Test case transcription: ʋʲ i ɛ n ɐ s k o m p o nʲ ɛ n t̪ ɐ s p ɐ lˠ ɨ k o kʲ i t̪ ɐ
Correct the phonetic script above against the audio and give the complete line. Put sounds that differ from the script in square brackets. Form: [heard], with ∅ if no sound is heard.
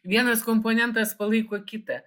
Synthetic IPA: ʋʲ i ɛ n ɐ s k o m p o nʲ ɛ n t̪ ɐ s p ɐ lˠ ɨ k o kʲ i t̪ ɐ